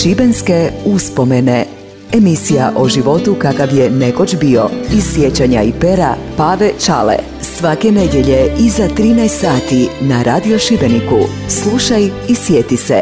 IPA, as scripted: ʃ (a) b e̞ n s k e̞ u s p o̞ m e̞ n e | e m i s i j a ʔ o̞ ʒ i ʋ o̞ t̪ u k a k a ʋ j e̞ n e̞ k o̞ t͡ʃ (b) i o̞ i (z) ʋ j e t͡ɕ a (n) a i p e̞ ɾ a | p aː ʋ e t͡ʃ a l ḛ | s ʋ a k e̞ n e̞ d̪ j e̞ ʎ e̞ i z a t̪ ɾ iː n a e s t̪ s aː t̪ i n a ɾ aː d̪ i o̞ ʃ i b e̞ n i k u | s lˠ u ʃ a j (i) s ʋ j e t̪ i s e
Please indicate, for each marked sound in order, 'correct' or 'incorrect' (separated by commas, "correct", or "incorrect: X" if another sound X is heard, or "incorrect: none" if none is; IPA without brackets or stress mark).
incorrect: i, correct, incorrect: s, incorrect: ɲ, correct